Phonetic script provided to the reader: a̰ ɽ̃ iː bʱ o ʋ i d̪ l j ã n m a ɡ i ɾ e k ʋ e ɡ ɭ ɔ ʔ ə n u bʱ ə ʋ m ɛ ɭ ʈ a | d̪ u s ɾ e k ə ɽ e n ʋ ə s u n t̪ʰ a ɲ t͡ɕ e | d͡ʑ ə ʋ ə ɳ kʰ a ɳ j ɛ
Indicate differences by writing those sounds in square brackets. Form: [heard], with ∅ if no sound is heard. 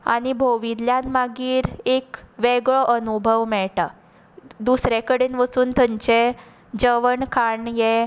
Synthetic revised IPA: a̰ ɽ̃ [i] bʱ o ʋ i d̪ l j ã n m a ɡ [iː] ɾ e k ʋ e ɡ ɭ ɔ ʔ ə n u bʱ ə ʋ m ɛ ɭ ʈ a | d̪ u s ɾ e k ə ɽ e n ʋ ə s [uː] n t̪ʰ [ə] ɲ t͡ɕ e | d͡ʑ ə ʋ ə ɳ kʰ a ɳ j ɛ